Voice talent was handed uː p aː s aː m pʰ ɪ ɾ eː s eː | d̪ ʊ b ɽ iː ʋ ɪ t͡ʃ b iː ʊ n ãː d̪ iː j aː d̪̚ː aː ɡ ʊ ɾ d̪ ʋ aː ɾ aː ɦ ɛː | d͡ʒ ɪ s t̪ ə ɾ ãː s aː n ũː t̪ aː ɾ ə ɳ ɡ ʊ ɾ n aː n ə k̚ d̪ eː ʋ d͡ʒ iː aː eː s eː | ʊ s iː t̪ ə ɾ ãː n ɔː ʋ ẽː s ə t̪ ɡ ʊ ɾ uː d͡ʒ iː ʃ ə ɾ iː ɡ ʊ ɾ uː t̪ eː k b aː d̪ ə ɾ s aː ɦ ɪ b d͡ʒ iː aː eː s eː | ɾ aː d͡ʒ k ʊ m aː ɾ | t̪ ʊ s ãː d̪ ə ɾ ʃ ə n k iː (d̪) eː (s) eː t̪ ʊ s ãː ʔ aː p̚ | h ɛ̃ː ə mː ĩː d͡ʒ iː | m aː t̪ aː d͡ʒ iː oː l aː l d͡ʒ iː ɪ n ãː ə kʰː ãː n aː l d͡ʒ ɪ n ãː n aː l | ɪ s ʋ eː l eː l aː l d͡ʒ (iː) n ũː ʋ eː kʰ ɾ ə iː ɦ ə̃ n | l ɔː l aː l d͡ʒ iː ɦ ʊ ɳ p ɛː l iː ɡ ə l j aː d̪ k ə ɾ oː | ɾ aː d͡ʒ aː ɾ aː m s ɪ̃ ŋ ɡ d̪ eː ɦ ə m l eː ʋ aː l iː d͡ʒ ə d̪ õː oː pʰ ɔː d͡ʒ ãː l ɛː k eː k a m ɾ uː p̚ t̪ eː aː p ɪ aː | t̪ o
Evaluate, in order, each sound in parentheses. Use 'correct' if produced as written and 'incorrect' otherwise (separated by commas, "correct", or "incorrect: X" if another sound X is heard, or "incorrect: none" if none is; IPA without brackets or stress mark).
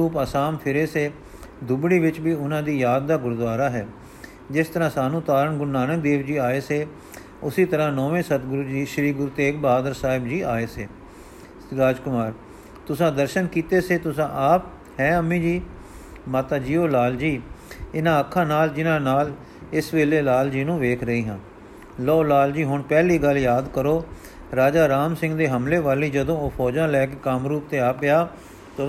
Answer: incorrect: t̪, correct, correct